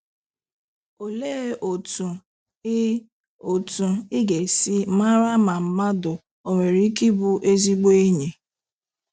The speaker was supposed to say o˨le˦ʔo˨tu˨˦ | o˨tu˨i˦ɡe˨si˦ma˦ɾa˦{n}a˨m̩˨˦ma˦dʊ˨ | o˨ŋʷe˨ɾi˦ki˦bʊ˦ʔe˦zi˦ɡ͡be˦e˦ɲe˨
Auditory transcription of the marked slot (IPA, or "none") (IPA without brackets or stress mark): m